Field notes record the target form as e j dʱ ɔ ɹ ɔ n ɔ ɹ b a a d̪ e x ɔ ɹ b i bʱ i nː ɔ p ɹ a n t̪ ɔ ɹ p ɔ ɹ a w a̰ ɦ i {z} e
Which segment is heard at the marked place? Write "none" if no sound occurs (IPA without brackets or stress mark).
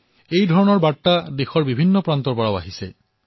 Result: s